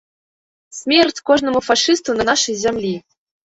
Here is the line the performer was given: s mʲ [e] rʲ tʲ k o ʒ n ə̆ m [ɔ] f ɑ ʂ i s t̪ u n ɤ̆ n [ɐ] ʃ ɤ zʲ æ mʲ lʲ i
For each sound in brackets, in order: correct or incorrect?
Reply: correct, incorrect, incorrect

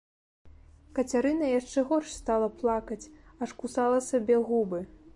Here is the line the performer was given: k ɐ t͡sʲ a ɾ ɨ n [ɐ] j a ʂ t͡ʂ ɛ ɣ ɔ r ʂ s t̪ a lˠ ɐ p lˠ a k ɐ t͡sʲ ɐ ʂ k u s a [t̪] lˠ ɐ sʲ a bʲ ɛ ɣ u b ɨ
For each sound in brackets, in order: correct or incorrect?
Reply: correct, incorrect

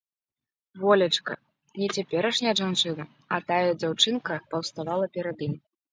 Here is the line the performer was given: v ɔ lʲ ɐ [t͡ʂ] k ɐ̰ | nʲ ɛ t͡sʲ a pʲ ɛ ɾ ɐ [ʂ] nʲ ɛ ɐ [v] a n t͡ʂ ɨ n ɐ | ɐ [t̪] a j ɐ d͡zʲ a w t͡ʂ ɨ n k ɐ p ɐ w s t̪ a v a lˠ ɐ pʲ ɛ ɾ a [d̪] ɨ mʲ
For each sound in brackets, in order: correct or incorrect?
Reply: correct, correct, incorrect, correct, correct

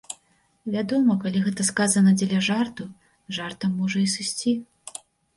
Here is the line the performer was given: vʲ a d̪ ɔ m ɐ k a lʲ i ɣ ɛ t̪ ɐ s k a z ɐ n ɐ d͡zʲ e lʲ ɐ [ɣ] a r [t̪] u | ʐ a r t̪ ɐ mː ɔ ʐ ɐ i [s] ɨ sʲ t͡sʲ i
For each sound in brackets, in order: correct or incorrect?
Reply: incorrect, correct, correct

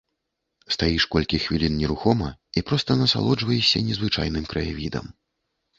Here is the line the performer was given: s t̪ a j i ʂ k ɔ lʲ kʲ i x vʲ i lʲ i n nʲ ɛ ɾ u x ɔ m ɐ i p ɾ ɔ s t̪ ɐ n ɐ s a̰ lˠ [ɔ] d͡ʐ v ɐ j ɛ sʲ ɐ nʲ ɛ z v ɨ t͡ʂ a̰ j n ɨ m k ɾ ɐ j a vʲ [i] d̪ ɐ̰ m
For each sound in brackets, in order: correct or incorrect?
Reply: correct, correct

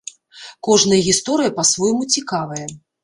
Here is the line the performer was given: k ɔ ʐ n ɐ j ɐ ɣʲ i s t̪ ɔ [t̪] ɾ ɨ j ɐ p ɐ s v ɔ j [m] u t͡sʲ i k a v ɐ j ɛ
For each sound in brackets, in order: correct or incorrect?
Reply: incorrect, correct

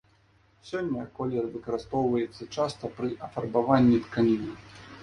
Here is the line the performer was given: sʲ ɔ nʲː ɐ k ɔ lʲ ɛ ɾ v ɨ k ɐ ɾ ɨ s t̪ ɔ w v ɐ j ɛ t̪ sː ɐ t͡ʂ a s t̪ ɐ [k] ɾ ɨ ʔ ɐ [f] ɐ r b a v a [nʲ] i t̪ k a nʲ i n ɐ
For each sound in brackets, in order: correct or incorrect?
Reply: incorrect, correct, incorrect

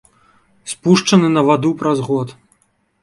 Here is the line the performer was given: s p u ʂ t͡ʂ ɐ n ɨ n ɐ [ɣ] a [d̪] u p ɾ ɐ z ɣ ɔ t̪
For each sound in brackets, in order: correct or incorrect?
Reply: incorrect, correct

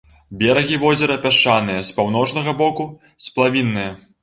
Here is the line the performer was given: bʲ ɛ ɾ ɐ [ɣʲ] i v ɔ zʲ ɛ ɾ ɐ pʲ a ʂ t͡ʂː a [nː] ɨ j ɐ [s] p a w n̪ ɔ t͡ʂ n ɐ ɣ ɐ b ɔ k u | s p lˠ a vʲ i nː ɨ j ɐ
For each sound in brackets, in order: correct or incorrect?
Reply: correct, incorrect, correct

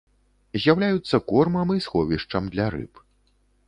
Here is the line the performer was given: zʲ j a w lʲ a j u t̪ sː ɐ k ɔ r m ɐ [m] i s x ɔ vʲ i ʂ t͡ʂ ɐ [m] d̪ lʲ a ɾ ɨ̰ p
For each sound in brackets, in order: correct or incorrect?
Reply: correct, correct

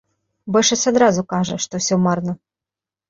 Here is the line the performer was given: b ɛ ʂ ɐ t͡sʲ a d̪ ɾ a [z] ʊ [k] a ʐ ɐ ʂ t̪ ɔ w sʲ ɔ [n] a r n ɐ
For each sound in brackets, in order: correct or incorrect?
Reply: correct, correct, incorrect

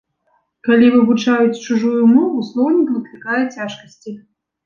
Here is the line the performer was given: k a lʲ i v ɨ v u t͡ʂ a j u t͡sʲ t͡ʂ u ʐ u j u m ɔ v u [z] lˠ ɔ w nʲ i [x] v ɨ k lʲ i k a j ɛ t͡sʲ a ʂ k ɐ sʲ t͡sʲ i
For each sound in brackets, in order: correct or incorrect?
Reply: incorrect, incorrect

